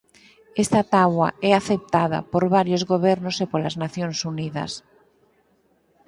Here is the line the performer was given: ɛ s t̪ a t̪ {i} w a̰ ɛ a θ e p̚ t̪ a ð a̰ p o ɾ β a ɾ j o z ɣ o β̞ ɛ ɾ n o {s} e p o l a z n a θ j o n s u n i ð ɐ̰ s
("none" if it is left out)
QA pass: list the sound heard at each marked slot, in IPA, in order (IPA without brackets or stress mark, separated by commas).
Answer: a, s